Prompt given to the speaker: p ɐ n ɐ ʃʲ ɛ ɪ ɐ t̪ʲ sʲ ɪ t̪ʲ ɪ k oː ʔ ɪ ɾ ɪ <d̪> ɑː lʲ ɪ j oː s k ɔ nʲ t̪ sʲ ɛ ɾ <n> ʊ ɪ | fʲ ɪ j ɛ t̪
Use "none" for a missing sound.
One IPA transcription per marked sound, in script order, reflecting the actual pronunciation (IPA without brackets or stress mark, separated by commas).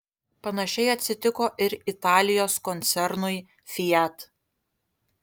t̪, n